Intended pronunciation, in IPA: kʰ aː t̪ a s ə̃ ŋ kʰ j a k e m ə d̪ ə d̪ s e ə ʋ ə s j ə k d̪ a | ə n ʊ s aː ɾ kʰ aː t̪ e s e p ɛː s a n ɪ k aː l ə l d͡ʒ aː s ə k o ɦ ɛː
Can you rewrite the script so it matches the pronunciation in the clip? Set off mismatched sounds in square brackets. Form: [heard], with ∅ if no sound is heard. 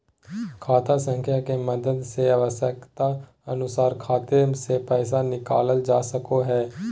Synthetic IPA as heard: kʰ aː t̪ a s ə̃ ŋ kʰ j a k e m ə d̪ ə d̪ s e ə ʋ ə s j ə k [t̪] a | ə n ʊ s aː ɾ kʰ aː t̪ e s e p ɛː s a n ɪ k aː l ə l d͡ʒ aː s ə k o ɦ ɛː